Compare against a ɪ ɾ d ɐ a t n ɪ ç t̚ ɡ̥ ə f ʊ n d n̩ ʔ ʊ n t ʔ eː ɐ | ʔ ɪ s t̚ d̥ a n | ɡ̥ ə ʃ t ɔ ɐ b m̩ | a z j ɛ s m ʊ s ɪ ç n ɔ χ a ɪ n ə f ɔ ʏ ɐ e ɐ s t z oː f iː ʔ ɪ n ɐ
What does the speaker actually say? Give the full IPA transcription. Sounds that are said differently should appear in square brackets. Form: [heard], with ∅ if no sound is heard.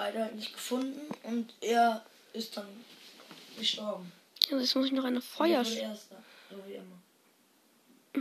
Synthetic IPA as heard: a ɪ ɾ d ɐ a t n ɪ ç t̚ ɡ̥ ə f ʊ n d n̩ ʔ ʊ n t ʔ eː ɐ | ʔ ɪ s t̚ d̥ a n | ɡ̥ ə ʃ t ɔ ɐ b m̩ | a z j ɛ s m ʊ s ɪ ç n ɔ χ a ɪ n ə f ɔ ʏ ɐ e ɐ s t z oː [v] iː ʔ ɪ [m] ɐ